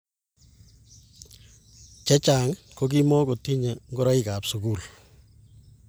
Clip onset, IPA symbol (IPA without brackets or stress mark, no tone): t͡ʃ